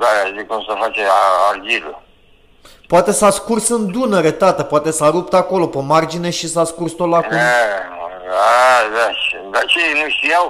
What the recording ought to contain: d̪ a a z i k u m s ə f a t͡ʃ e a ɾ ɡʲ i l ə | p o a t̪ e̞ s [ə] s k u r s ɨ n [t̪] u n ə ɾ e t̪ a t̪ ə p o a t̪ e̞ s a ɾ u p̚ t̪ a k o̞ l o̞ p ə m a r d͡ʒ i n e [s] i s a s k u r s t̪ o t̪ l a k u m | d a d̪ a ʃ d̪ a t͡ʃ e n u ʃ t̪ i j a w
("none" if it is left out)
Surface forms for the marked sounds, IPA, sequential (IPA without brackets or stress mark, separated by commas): a, d̪, ʃ